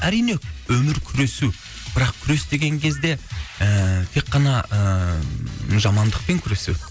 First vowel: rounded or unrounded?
unrounded